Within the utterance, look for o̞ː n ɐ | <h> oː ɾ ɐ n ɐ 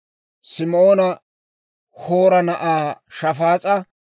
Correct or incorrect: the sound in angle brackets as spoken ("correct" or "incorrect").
correct